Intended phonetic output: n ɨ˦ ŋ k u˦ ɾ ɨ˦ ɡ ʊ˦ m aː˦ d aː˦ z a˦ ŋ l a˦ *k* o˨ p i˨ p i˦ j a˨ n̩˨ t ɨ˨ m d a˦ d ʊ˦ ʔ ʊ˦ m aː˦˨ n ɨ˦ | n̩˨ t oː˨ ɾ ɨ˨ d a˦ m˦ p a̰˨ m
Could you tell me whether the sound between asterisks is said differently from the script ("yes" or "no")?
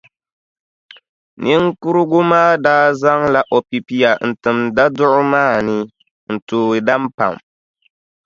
yes